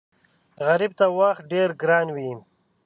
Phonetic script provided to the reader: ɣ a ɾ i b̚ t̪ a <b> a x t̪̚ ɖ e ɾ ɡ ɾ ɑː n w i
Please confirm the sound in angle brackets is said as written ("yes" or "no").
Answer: no